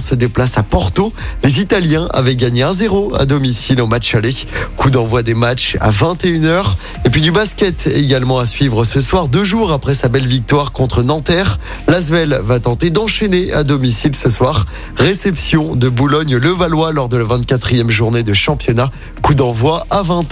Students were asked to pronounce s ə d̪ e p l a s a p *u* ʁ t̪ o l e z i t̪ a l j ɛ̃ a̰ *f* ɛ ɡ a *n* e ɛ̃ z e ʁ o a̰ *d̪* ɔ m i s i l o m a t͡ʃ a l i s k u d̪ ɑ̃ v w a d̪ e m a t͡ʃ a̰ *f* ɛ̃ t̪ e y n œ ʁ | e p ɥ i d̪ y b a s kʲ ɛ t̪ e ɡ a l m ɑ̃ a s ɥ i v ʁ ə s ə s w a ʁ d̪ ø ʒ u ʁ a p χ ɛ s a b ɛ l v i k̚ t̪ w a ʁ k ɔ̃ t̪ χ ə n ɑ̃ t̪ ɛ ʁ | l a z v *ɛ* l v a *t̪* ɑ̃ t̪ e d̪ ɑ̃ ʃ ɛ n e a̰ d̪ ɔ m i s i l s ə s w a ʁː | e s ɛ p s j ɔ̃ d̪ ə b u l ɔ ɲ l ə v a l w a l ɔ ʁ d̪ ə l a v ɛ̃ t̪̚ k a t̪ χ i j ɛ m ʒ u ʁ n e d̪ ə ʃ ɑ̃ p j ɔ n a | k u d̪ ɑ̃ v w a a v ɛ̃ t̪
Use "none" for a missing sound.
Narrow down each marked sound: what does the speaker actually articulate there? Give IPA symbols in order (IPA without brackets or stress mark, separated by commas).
ɔ, v, ɲ, d̪, v, ɛ, t̪